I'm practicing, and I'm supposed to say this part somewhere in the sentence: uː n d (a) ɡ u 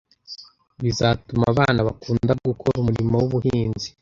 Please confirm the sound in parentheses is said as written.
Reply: yes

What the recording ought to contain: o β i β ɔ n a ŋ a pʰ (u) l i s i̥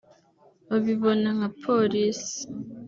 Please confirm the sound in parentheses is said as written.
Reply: no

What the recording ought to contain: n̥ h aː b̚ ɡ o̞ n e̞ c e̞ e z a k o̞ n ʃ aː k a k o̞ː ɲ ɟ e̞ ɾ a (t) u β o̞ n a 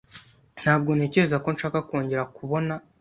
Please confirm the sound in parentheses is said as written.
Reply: no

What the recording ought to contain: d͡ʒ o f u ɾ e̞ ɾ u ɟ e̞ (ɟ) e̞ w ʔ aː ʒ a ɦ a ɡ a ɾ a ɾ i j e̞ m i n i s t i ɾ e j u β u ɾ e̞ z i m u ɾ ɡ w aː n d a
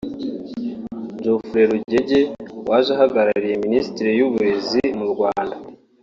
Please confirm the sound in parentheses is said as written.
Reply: yes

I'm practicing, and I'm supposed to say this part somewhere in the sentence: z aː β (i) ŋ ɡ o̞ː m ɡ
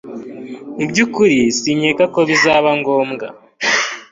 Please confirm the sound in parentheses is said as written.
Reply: no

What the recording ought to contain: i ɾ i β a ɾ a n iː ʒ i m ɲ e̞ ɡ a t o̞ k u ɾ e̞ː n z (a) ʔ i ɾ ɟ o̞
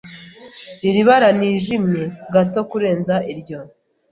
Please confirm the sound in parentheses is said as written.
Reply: yes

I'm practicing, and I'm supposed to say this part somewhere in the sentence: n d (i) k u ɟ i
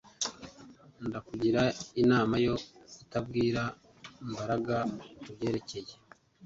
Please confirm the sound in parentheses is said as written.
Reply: no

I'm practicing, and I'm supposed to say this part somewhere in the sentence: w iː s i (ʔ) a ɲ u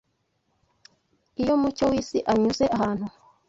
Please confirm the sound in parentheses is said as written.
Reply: yes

